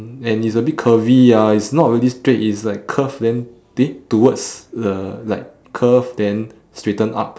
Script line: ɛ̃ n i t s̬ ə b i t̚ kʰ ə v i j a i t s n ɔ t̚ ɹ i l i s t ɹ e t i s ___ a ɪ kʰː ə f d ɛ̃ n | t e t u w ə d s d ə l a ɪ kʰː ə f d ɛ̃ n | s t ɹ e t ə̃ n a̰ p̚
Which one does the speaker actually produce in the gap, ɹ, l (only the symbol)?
l